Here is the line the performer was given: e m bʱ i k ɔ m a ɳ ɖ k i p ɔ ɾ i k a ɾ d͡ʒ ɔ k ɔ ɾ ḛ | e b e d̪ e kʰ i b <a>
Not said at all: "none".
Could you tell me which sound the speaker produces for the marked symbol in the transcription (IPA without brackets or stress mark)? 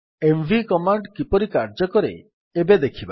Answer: a